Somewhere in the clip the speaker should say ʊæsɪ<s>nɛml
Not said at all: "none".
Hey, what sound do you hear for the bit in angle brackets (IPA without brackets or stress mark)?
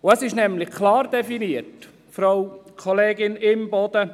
ʃ